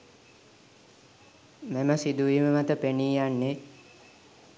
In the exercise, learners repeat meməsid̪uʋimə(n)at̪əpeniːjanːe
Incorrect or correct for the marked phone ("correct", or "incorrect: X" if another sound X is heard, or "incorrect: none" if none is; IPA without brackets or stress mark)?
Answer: incorrect: m